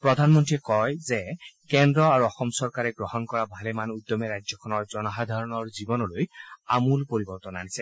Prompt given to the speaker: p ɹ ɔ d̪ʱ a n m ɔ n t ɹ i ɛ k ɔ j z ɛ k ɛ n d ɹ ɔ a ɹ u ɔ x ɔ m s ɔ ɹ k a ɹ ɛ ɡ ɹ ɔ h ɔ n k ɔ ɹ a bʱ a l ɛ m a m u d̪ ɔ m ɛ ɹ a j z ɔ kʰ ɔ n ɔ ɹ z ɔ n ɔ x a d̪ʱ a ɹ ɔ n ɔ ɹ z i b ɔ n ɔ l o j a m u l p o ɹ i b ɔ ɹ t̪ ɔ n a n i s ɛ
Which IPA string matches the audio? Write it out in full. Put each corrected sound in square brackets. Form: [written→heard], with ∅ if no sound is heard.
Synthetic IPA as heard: p ɹ ɔ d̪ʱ a n m ɔ n t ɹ i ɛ k ɔ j z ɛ k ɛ n d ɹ ɔ a ɹ u ɔ x ɔ m s ɔ ɹ k a ɹ ɛ ɡ ɹ ɔ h ɔ n k ɔ ɹ a bʱ a l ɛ m a [m→n] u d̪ ɔ m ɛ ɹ a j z ɔ kʰ ɔ n ɔ ɹ z ɔ n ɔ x a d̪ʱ a ɹ ɔ n ɔ ɹ z i b ɔ n ɔ l o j a m u l p o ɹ i b ɔ ɹ t̪ ɔ n a n i s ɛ